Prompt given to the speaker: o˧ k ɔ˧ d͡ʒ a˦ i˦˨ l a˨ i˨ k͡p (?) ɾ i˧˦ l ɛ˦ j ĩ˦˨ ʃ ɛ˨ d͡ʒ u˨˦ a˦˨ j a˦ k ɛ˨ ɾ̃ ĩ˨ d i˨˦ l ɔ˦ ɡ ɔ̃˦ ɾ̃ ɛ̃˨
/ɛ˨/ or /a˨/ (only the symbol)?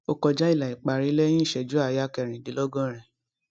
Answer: a˨